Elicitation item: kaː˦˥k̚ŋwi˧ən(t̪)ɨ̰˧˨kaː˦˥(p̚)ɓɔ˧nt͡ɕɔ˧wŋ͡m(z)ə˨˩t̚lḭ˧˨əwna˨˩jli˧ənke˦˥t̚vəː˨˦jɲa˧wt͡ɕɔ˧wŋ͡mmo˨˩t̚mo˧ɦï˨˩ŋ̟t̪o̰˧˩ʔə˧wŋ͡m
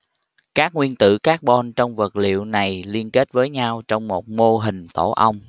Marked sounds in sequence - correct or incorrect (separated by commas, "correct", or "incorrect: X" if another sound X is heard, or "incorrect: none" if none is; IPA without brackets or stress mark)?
correct, incorrect: k̚, incorrect: v